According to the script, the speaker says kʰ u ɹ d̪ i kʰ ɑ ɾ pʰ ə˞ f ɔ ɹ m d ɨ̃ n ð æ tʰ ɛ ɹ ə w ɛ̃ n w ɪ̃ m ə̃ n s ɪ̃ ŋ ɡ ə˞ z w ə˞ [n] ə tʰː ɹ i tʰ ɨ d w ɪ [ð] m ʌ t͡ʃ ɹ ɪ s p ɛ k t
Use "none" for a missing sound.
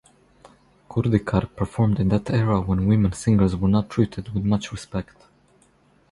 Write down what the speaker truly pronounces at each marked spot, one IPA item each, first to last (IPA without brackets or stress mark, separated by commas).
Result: n, ð